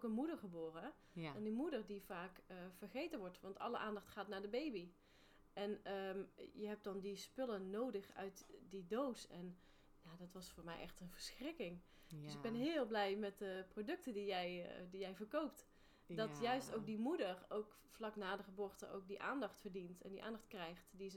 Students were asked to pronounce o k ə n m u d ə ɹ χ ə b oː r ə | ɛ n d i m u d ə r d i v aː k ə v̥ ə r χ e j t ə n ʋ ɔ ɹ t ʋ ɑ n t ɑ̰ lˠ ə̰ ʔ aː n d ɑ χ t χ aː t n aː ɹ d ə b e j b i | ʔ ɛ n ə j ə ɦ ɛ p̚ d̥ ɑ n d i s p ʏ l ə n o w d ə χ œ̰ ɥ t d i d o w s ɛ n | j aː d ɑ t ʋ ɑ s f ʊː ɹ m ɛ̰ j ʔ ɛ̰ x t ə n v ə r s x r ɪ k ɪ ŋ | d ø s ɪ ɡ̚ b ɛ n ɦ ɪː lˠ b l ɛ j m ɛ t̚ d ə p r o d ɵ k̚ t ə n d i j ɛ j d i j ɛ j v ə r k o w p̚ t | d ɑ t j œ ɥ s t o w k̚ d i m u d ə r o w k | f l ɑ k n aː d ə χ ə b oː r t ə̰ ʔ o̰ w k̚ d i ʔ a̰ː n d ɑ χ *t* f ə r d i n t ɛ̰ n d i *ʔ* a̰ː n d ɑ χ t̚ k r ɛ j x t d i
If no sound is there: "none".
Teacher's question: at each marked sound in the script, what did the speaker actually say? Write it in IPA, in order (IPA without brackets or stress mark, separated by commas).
t, ʔ